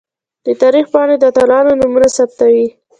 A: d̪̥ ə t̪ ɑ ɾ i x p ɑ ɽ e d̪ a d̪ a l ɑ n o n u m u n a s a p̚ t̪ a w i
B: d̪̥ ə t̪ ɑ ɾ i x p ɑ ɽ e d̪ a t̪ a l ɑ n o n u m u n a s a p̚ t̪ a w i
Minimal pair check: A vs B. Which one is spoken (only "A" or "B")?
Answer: B